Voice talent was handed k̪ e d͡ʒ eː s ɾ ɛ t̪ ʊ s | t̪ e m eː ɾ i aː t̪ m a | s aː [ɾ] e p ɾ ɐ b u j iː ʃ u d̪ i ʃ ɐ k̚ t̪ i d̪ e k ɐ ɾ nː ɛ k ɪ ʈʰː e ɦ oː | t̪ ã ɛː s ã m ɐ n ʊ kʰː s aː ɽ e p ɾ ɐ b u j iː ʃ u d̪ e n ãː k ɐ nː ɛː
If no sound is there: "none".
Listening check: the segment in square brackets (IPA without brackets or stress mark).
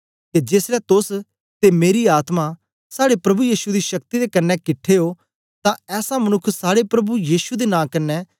ɽ